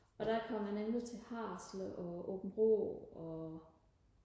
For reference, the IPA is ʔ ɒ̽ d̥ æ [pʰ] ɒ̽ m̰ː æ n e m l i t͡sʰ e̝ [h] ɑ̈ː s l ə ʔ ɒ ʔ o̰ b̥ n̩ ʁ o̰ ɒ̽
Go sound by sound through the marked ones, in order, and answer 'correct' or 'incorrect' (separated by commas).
incorrect, correct